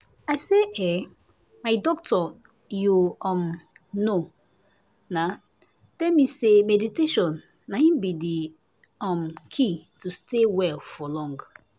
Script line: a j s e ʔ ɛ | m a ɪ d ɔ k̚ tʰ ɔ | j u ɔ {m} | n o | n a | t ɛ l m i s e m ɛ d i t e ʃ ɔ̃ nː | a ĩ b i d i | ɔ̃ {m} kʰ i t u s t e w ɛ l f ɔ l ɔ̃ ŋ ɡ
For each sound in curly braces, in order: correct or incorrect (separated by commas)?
correct, correct